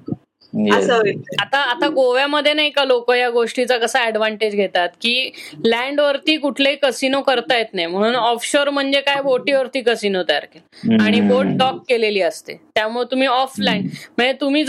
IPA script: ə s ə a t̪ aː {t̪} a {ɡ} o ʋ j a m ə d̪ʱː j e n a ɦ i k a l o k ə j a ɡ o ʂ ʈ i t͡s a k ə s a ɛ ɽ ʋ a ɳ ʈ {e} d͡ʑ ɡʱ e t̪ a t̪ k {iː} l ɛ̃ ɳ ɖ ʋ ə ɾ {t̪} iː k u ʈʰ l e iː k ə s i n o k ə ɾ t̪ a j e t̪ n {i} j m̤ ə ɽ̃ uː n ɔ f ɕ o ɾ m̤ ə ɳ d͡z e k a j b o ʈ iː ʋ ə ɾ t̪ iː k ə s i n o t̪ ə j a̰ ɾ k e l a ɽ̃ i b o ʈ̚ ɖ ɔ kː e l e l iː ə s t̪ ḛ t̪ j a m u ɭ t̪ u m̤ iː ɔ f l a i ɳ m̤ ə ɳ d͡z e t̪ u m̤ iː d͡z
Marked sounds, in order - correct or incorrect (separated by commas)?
correct, correct, correct, correct, correct, incorrect